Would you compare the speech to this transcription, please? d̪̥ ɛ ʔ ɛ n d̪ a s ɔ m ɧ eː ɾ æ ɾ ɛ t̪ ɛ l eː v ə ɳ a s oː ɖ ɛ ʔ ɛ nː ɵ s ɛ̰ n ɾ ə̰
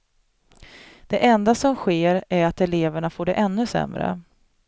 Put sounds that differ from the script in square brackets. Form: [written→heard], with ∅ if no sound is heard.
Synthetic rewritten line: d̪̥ ɛ ʔ ɛ n d̪ a s ɔ m ɧ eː ɾ æ ɾ [ɛ→a] t̪ ɛ l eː v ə ɳ a [s→f] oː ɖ ɛ ʔ ɛ nː ɵ s ɛ̰ [n→m] ɾ ə̰